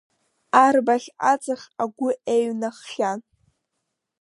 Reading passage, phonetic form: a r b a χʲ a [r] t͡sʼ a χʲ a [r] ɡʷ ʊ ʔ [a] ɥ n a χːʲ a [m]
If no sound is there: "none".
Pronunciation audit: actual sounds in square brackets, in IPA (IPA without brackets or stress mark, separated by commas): none, none, e, n